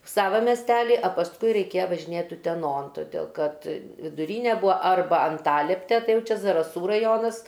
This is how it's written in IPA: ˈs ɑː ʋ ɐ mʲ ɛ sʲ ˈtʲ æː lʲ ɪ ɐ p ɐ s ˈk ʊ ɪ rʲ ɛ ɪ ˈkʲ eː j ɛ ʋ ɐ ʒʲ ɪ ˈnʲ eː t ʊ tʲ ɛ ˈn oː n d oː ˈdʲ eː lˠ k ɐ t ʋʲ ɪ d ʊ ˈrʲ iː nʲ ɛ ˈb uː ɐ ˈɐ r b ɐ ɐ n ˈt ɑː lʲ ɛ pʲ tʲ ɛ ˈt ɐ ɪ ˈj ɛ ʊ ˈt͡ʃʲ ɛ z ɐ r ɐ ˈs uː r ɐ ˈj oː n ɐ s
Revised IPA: ˈs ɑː ʋ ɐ mʲ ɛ sʲ ˈtʲ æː lʲ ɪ ɐ p ɐ s ˈk ʊ ɪ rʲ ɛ ɪ ˈkʲ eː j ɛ ʋ ɐ ʒʲ ɪ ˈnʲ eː t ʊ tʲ ɛ ˈn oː n t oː ˈdʲ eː lˠ k ɐ t ʋʲ ɪ d ʊ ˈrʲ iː nʲ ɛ ˈb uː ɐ ˈɐ r b ɐ ɐ n ˈt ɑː lʲ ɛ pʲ tʲ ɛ ˈt ɐ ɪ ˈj ɛ ʊ ˈt͡ʃʲ ɛ z ɐ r ɐ ˈs uː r ɐ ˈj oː n ɐ s